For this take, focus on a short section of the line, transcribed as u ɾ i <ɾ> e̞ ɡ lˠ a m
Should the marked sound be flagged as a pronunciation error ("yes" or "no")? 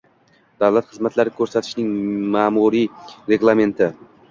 no